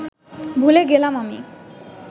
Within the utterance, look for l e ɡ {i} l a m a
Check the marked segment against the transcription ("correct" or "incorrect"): incorrect